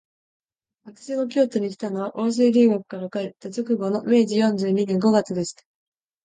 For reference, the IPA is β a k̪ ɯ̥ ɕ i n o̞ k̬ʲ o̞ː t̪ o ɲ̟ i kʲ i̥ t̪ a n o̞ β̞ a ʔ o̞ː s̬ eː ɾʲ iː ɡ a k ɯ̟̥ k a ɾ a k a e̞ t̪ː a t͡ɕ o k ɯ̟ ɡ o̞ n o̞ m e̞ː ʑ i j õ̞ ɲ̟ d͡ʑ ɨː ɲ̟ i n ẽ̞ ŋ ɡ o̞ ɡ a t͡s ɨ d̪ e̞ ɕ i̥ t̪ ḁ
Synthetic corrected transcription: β a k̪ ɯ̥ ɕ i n o̞ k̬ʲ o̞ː t̪ o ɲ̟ i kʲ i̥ t̪ a n o̞ β̞ a ʔ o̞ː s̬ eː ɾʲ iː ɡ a k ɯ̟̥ k a ɾ a k a e̞ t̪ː a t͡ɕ o k ɯ̟ ɡ o̞ n o̞ m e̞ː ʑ i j õ̞ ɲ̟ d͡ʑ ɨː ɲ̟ i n ẽ̞ ŋ ɡ o̞ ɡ a t͡s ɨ d̪ e̞ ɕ i̥ t̪ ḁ

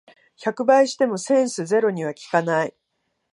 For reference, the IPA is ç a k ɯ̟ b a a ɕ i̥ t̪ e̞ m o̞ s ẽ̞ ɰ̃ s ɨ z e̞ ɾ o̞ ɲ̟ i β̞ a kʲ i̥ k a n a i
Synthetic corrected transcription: ç a k ɯ̟ b a i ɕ i̥ t̪ e̞ m o̞ s ẽ̞ ɰ̃ s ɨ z e̞ ɾ o̞ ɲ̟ i β̞ a kʲ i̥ k a n a i

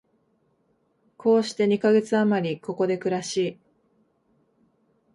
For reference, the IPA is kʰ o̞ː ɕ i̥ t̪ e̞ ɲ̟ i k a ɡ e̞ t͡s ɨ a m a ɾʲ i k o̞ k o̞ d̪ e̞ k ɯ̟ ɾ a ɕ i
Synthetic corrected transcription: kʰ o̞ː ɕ i̥ t̪ e̞ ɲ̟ i k a ɡ e̞ t͡s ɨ a m a ɾʲ i k o̞ k o̞ d̪ e̞ k ɯ̟ ɾ a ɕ iː

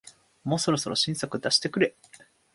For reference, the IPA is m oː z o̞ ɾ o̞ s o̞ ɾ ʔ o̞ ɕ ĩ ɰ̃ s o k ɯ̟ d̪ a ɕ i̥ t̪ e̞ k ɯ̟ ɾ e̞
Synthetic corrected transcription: m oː s o̞ ɾ o̞ s o̞ ɾ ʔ o̞ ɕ ĩ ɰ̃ s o k ɯ̟ d̪ a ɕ i̥ t̪ e̞ k ɯ̟ ɾ e̞

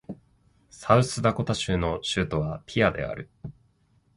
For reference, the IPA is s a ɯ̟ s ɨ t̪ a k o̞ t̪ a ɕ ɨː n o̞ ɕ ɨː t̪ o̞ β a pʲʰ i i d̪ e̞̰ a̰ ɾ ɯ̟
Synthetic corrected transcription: s a ɯ̟ s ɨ d̪ a k o̞ t̪ a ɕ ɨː n o̞ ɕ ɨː t̪ o̞ β a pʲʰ i a d̪ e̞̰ a̰ ɾ ɯ̟

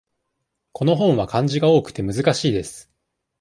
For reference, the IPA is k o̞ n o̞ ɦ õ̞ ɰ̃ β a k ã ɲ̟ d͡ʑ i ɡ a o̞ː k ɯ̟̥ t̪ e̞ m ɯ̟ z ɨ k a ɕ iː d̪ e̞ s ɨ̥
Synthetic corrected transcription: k o̞ n o̞ ɦ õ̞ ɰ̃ β a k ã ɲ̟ d͡ʑ i ɡ a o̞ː k ɯ̟̥ t̪ e̞ m ɯ̟ z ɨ k a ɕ iː d̪ e̞ s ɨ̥

